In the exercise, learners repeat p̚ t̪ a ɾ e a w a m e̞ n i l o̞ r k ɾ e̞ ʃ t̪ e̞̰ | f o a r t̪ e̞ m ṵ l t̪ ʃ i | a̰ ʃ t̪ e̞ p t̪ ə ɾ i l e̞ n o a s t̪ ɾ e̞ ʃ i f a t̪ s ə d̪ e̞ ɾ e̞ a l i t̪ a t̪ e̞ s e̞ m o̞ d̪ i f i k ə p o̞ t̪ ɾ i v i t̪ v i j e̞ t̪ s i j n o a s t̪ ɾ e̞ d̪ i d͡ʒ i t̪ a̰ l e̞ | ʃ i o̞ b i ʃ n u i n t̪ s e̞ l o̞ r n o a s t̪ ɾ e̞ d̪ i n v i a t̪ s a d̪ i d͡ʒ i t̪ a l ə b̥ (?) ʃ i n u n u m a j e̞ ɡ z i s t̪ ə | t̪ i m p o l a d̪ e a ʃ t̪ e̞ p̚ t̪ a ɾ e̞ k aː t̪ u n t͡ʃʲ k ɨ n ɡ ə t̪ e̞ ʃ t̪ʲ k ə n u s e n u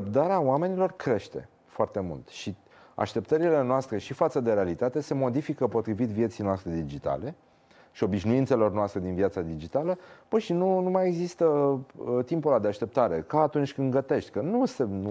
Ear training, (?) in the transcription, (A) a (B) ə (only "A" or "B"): B